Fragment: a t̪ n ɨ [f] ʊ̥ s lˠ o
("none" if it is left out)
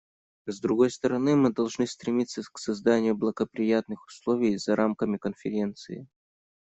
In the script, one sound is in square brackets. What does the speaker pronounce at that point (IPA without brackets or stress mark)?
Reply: x